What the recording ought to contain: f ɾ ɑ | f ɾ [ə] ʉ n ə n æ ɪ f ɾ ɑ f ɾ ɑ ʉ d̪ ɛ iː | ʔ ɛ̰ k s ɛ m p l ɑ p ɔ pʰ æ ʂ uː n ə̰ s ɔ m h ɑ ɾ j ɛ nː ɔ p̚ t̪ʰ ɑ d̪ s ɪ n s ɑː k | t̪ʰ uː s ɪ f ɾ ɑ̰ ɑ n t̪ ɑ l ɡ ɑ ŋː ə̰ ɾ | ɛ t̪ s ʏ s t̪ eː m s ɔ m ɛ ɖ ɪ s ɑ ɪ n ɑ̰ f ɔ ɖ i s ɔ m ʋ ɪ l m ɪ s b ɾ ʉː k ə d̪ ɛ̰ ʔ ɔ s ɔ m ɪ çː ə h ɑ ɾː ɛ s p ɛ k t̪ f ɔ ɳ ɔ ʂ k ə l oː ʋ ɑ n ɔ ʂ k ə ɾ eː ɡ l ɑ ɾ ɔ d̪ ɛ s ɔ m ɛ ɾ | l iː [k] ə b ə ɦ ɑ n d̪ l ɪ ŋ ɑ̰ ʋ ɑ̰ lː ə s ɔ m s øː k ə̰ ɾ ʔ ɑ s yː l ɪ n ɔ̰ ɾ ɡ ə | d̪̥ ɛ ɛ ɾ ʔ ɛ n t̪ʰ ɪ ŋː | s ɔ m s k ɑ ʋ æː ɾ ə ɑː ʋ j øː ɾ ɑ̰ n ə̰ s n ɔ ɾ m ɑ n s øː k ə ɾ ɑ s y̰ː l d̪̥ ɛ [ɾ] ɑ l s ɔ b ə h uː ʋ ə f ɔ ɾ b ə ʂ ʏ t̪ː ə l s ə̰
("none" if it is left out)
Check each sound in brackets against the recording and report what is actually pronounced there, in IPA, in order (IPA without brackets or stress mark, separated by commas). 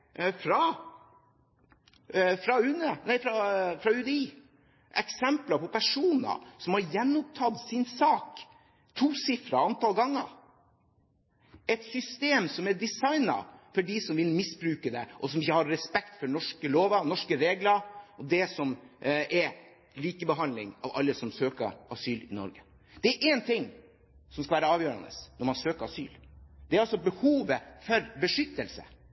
ɑ, k, ɾ